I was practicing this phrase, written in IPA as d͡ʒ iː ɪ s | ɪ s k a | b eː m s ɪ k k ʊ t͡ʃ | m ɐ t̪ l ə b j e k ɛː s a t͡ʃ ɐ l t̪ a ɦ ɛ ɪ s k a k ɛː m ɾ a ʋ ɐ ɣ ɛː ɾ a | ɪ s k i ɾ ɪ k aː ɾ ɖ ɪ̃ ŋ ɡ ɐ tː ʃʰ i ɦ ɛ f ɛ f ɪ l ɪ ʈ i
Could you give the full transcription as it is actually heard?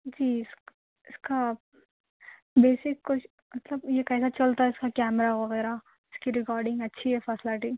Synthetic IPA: d͡ʒ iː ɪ s | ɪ s k a | b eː s ɪ k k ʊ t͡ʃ | m ɐ t̪ l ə b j e k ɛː s a t͡ʃ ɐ l t̪ a ɦ ɛ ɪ s k a k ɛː m ɾ a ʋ ɐ ɣ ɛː ɾ a | ɪ s k i ɾ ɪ k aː ɾ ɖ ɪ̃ ŋ ɡ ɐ tː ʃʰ i ɦ ɛ f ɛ s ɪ l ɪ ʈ i